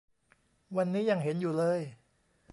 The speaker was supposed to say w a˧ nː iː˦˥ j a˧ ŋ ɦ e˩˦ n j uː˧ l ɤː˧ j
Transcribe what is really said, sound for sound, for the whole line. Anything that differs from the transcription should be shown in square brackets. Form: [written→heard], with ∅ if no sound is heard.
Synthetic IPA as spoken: w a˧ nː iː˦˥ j a˧ ŋ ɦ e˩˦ n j [uː˧→uː˨˩] l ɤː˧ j